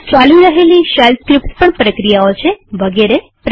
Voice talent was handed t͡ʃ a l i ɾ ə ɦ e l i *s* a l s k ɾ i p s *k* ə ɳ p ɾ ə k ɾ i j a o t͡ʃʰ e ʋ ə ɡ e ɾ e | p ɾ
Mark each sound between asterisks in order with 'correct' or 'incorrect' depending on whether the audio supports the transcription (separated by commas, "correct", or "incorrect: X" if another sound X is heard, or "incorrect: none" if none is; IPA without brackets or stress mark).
incorrect: ʃ, incorrect: p